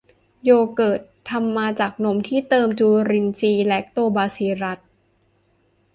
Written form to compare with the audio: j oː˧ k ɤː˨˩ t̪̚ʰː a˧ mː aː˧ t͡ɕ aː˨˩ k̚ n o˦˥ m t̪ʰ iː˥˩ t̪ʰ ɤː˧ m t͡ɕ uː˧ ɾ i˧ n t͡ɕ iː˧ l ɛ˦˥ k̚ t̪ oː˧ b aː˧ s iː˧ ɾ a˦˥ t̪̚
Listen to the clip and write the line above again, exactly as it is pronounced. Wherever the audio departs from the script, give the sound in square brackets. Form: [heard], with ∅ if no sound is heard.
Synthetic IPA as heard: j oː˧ k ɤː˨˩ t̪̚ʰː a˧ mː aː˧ t͡ɕ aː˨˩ k̚ n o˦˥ m t̪ʰ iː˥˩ [t̪] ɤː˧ m t͡ɕ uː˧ ɾ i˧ n t͡ɕ iː˧ l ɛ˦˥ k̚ t̪ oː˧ b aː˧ s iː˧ ɾ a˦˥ t̪̚